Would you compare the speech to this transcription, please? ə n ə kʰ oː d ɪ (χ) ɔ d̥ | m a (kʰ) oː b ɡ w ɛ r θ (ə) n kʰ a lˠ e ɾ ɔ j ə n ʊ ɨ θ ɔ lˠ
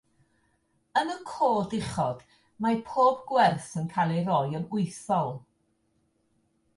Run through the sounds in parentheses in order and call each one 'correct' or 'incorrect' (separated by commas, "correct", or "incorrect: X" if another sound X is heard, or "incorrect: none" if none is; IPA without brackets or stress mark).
correct, incorrect: pʰ, correct